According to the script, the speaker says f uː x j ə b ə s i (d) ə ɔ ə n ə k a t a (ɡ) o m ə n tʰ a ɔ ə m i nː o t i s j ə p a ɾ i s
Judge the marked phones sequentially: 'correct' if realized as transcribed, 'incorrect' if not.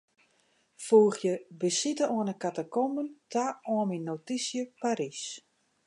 incorrect, incorrect

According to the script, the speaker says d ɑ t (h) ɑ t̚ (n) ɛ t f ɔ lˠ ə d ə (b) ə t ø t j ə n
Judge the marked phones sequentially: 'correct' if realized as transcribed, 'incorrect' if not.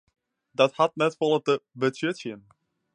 correct, correct, correct

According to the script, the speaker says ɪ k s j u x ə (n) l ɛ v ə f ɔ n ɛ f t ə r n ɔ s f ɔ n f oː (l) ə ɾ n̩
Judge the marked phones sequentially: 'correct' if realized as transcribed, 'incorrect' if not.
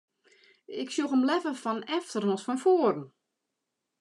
incorrect, incorrect

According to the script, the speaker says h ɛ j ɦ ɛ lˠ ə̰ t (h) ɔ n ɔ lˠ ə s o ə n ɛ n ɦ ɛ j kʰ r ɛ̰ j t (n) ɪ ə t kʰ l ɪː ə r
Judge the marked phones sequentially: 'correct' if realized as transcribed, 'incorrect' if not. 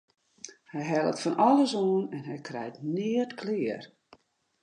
incorrect, correct

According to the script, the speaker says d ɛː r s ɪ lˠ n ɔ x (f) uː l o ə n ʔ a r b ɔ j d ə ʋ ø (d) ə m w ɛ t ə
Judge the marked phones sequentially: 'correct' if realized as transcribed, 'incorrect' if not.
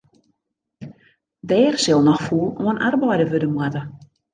correct, correct

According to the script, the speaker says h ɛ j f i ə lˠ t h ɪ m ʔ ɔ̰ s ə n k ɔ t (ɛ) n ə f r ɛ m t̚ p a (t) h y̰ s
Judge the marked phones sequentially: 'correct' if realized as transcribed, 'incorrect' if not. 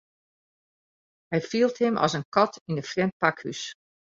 incorrect, incorrect

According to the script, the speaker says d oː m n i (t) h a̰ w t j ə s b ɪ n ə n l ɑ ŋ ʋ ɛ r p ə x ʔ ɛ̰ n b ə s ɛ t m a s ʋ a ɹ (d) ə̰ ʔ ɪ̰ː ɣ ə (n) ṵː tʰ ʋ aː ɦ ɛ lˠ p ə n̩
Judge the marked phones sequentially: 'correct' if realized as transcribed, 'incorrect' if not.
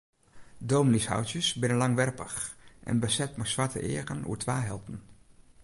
incorrect, incorrect, correct

